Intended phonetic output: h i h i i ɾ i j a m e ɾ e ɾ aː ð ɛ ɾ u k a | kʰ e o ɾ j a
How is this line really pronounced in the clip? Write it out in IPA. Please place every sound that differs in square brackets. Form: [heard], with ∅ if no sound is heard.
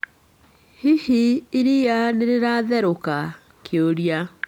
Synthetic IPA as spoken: h i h i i ɾ i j a [n] e ɾ e ɾ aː ð ɛ ɾ [o] k a | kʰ e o ɾ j a